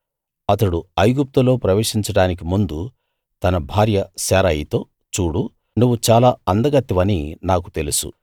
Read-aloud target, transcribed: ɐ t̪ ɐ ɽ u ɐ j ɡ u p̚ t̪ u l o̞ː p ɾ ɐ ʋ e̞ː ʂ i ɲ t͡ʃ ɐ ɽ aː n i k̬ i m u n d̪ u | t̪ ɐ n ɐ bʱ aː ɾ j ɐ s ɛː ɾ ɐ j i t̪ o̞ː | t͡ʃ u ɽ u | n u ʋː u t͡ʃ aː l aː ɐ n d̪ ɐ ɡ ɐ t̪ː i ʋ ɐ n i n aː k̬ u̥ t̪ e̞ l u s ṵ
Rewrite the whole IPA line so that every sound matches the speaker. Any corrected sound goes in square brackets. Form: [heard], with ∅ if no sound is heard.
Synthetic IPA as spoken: ɐ t̪ ɐ ɽ u ɐ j ɡ u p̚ t̪ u l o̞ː p ɾ ɐ ʋ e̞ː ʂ i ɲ t͡ʃ ɐ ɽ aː n i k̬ i m u n d̪ u | t̪ ɐ n ɐ bʱ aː ɾ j ɐ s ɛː ɾ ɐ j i t̪ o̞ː | t͡ʃ [uː] ɽ u | n u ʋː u t͡ʃ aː l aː ɐ n d̪ ɐ ɡ ɐ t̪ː i ʋ ɐ n i n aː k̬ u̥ t̪ e̞ l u s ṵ

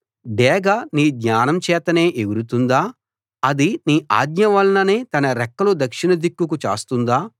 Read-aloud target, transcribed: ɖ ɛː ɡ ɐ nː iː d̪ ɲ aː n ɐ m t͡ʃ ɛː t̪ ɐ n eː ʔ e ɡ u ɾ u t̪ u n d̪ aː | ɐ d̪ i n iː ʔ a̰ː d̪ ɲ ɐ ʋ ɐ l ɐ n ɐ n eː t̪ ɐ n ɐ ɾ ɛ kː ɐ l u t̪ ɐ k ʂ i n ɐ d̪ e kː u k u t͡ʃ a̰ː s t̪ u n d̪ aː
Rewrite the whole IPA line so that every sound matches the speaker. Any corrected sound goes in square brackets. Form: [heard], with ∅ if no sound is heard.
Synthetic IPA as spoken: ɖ ɛː ɡ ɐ [n] iː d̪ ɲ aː n ɐ m t͡ʃ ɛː t̪ ɐ n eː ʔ e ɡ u ɾ u t̪ u n d̪ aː | ɐ d̪ i n iː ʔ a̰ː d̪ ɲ ɐ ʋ ɐ l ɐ n ɐ n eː t̪ ɐ n ɐ ɾ ɛ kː ɐ l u [d̪] ɐ k ʂ i n ɐ d̪ [i] kː u k u t͡ʃ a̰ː s t̪ u n d̪ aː

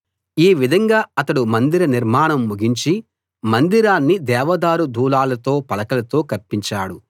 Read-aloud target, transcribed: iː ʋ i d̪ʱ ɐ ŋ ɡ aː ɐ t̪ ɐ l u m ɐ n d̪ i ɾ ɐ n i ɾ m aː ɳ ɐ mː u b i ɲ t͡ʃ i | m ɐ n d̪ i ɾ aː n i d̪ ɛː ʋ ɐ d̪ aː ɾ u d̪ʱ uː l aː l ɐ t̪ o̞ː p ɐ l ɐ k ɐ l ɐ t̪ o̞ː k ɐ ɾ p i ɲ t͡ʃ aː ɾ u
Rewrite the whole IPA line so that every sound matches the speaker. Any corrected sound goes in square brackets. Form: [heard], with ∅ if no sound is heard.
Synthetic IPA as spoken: iː ʋ i d̪ʱ ɐ ŋ ɡ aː ɐ t̪ ɐ [ɽ] u m ɐ n d̪ i ɾ ɐ n i ɾ m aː ɳ ɐ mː u [ɡ] i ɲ t͡ʃ i | m ɐ n d̪ i ɾ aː [nː] i d̪ ɛː ʋ ɐ d̪ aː ɾ u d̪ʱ uː l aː l ɐ t̪ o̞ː p ɐ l ɐ k ɐ l ɐ t̪ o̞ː k ɐ ɾ p i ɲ t͡ʃ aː [ɽ] u

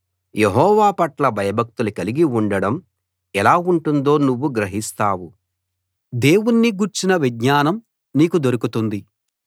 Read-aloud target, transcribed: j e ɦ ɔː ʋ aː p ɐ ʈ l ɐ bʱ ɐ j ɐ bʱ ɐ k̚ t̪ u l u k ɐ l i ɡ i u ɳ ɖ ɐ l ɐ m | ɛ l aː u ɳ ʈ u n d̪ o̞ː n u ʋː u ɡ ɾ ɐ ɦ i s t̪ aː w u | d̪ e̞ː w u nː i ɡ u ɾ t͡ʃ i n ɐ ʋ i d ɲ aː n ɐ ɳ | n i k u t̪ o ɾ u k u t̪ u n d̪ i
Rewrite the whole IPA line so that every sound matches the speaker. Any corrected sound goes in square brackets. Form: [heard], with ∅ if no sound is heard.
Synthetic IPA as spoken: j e ɦ ɔː ʋ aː p ɐ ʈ l ɐ bʱ ɐ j ɐ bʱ ɐ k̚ t̪ u l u k ɐ l i ɡ i u ɳ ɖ ɐ [ɽ] ɐ m | ɛ l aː u ɳ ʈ u n d̪ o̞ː n u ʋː u ɡ ɾ ɐ ɦ i s t̪ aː w u | d̪ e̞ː w u nː i ɡ u ɾ t͡ʃ i n ɐ ʋ i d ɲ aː n ɐ [m] | n [iː] k u [d̪] o ɾ u k u t̪ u n d̪ i

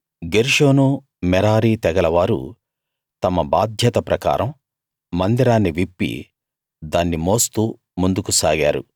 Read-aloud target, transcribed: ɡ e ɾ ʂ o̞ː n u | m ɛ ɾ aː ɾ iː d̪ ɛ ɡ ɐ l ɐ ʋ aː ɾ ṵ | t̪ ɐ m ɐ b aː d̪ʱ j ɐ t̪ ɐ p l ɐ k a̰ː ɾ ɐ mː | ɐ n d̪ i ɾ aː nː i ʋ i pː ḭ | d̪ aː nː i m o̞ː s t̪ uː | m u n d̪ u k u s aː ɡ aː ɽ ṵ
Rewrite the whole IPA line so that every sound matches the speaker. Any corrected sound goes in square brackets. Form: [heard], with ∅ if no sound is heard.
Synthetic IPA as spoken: ɡ e ɾ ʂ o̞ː n u | m ɛ ɾ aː ɾ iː [t̪] ɛ ɡ ɐ l ɐ ʋ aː ɾ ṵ | t̪ ɐ m ɐ b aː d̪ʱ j ɐ t̪ ɐ p [ɾ] ɐ k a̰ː ɾ ɐ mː | ɐ n d̪ i ɾ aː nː i ʋ i pː ḭ | d̪ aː nː i m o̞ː s t̪ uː | m u n d̪ u k u s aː ɡ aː [ɾ] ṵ

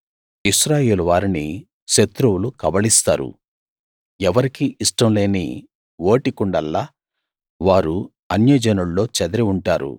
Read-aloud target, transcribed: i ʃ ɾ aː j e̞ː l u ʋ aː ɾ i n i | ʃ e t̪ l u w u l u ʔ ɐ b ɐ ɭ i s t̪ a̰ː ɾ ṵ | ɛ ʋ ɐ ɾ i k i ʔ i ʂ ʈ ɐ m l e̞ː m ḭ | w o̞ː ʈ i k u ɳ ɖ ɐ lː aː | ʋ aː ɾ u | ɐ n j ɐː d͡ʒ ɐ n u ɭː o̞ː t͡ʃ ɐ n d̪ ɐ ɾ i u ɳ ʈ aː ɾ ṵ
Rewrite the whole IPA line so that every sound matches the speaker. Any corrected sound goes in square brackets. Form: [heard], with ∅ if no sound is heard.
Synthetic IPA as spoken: i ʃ ɾ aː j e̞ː l u ʋ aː ɾ i n i | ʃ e t̪ [ɾ] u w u l u [k] ɐ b ɐ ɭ i s t̪ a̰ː ɾ ṵ | ɛ ʋ ɐ ɾ i k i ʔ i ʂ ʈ ɐ m l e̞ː [n] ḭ | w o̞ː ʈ i k u ɳ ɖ ɐ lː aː | ʋ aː ɾ u | ɐ n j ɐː d͡ʒ ɐ n u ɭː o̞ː t͡ʃ ɐ [∅] d̪ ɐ ɾ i u ɳ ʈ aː ɾ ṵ

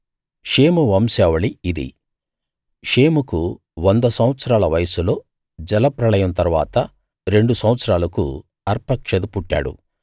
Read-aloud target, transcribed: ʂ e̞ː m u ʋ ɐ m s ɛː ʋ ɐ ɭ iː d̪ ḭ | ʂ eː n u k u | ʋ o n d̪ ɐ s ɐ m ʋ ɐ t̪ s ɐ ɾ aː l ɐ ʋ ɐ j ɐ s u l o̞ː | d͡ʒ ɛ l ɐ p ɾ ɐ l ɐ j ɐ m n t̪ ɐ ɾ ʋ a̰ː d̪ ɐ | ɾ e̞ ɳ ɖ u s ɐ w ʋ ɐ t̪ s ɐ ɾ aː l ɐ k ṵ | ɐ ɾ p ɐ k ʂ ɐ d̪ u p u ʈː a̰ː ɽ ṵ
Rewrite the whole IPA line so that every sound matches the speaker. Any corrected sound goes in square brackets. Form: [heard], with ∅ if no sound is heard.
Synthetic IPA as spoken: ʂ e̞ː m u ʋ ɐ m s ɛː ʋ ɐ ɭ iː d̪ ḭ | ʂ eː [m] u k u | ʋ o n d̪ ɐ s ɐ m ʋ ɐ t̪ s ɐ ɾ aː l ɐ ʋ ɐ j ɐ s u l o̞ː | d͡ʒ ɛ l ɐ p ɾ ɐ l ɐ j ɐ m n t̪ ɐ ɾ ʋ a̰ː [t̪] ɐ | ɾ e̞ ɳ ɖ u s ɐ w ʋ ɐ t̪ s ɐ ɾ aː l ɐ k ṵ | ɐ ɾ p ɐ k ʂ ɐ d̪ u p u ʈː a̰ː ɽ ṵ

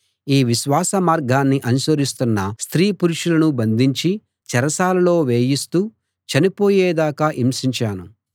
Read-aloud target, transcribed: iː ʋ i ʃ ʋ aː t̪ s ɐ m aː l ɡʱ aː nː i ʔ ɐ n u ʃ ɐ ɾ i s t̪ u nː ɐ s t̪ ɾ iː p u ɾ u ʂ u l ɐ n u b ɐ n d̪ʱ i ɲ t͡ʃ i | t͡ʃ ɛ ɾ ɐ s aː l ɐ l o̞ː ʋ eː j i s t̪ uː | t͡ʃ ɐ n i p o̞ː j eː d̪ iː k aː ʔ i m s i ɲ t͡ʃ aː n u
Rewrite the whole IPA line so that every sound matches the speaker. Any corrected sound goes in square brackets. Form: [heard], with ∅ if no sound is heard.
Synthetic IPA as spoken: iː ʋ i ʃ ʋ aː [∅] s ɐ m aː [ɾ] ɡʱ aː nː i ʔ ɐ n u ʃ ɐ ɾ i s t̪ u nː ɐ s t̪ ɾ iː p u ɾ u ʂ u l ɐ n u b ɐ n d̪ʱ i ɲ t͡ʃ i | t͡ʃ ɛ ɾ ɐ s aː l ɐ l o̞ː ʋ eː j i s t̪ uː | t͡ʃ ɐ n i p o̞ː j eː d̪ [aː] k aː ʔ i m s i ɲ t͡ʃ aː n u

